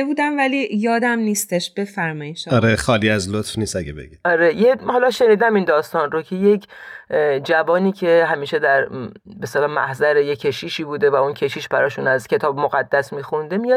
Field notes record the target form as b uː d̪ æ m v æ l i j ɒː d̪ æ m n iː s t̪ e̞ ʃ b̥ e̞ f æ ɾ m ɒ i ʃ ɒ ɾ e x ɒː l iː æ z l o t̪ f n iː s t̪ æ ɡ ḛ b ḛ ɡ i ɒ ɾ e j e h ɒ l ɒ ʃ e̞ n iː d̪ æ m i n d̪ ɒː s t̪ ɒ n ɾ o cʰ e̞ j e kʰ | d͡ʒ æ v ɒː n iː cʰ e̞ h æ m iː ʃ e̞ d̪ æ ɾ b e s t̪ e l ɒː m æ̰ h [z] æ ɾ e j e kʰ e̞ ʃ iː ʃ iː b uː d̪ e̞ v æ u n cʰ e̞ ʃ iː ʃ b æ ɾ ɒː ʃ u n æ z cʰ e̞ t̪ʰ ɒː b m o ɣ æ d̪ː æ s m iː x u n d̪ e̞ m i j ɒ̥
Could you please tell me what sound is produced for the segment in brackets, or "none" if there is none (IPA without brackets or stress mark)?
z